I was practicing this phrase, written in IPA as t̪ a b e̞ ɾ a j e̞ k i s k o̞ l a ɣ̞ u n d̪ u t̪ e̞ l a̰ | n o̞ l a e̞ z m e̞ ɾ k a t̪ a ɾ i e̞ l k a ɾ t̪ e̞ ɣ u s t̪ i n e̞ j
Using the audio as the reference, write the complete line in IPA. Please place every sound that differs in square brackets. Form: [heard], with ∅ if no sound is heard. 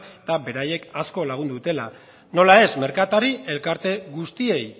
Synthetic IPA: t̪ a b e̞ ɾ a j e̞ k [a] s k o̞ l a ɣ̞ u n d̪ u t̪ e̞ l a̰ | n o̞ l a e̞ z m e̞ ɾ k a t̪ a ɾ i e̞ l k a ɾ t̪ e̞ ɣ u s t̪ i [∅] e̞ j